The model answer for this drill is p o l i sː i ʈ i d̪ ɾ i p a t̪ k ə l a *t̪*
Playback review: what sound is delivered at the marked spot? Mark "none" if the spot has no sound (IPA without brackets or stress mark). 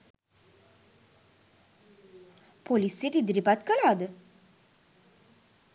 d̪